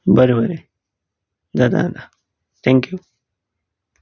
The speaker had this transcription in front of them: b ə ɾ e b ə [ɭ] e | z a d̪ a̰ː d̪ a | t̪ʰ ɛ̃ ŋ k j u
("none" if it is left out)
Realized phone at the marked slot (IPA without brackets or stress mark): ɾ